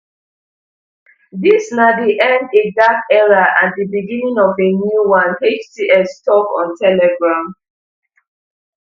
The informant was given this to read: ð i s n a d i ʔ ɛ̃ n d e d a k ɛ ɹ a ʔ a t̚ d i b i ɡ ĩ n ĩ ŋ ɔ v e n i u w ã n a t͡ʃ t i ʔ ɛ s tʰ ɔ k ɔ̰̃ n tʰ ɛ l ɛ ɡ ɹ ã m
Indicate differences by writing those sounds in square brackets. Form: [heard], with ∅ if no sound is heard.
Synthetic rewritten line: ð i s n a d i ʔ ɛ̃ n d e d a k ɛ ɹ a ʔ a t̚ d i b i ɡ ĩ n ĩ ŋ ɔ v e n [j] u w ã n [e] t͡ʃ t i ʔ ɛ s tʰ ɔ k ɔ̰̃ n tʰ ɛ l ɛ ɡ ɹ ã m